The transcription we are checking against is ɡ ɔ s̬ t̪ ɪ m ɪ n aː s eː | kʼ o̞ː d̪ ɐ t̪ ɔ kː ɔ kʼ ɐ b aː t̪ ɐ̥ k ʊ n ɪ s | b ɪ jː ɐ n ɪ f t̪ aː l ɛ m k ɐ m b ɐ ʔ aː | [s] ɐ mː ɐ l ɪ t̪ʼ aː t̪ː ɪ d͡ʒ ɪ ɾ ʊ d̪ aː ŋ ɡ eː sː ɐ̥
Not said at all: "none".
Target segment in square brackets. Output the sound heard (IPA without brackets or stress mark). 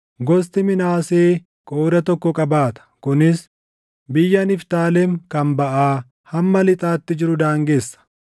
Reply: h